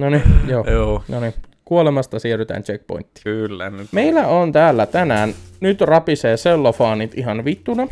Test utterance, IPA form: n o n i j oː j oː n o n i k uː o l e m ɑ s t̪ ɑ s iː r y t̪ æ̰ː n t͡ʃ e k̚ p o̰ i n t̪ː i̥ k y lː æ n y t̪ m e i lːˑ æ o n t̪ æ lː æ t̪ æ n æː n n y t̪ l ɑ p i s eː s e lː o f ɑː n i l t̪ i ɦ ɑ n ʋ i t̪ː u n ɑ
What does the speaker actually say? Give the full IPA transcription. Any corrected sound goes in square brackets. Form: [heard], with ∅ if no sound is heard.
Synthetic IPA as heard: n o n i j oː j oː n o n i k [u] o l e m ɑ s t̪ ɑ s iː r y t̪ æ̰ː n t͡ʃ e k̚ p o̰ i n t̪ː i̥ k y lː æ n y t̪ m e i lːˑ æ o n t̪ [æː] lː æ t̪ æ n æː n n y t̪ [r] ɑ p i s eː s e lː o f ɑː n i [∅] t̪ i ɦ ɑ n ʋ i t̪ː u n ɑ